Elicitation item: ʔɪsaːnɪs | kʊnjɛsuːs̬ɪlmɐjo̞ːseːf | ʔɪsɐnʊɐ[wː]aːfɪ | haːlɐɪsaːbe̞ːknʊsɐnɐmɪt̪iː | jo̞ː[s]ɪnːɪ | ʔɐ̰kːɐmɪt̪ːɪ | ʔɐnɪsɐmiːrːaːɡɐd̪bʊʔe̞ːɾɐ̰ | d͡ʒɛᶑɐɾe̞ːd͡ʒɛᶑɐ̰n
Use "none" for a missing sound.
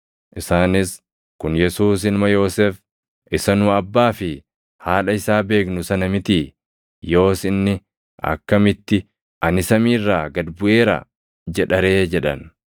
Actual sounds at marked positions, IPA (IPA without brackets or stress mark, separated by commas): bː, s